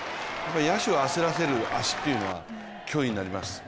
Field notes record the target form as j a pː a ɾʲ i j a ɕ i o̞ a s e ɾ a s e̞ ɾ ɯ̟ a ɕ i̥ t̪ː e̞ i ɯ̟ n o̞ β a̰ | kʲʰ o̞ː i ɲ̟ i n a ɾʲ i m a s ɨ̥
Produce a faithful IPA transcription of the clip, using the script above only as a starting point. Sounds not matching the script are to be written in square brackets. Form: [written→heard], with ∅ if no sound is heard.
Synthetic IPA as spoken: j a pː a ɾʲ i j a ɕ i o̞ a s e ɾ a s e̞ ɾ ɯ̟ a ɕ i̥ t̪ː e̞ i ɯ̟ n o̞ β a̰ | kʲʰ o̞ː i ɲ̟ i n a ɾʲ i m a s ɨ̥